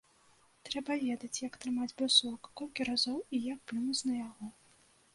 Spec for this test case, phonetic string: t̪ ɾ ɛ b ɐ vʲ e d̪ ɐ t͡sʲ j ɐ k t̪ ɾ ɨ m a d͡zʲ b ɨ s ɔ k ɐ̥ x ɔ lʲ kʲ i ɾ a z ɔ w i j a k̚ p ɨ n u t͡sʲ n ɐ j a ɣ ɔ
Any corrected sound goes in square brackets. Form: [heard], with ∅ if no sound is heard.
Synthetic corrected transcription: t̪ ɾ ɛ b ɐ vʲ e d̪ ɐ t͡sʲ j ɐ k t̪ ɾ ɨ m a d͡zʲ b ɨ s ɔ k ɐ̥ [k] ɔ lʲ kʲ i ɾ a z ɔ w i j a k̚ p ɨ n u t͡sʲ n ɐ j a ɣ ɔ